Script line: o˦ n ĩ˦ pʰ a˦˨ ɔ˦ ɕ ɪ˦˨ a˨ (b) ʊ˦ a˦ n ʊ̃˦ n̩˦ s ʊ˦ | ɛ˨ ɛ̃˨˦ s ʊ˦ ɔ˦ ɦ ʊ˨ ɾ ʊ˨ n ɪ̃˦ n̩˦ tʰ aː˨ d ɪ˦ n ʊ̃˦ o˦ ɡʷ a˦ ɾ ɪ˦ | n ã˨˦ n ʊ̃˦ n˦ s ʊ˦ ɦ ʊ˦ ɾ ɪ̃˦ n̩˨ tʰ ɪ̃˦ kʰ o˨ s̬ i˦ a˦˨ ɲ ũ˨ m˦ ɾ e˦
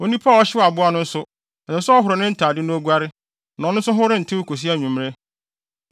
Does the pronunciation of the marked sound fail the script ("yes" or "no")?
no